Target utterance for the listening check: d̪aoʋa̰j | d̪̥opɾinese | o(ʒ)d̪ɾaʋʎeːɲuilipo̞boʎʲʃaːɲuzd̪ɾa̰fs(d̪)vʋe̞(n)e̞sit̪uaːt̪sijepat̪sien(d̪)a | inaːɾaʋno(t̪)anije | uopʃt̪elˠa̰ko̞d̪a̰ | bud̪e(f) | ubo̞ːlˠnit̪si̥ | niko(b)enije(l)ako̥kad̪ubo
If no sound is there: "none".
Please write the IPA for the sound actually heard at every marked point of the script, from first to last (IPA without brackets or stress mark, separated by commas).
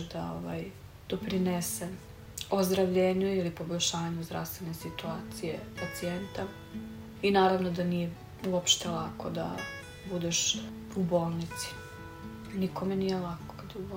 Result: z, t̪, n, t̪, d̪, ʃ, m, l